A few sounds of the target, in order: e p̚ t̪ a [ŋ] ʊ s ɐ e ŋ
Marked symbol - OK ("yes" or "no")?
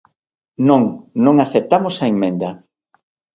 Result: no